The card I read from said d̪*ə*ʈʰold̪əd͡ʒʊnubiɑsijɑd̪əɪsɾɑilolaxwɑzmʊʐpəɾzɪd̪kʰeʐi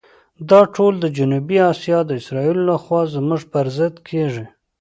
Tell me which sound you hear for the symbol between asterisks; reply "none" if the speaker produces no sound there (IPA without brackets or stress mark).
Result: ɑ